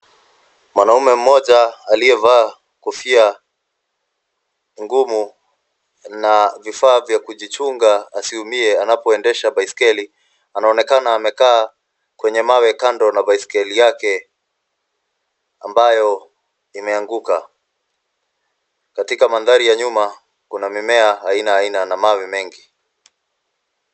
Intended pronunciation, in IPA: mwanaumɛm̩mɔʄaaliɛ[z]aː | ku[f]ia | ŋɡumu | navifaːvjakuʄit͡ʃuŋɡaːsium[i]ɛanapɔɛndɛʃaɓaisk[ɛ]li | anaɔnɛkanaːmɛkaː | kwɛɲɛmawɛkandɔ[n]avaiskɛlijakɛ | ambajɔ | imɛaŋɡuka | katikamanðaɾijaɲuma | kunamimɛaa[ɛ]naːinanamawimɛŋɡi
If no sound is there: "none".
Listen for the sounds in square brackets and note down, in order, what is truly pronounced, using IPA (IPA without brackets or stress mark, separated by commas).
v, f, i, ɛ, n, i